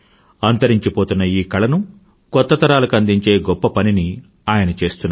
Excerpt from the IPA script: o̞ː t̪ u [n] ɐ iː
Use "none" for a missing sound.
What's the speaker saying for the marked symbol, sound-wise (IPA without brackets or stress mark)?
nː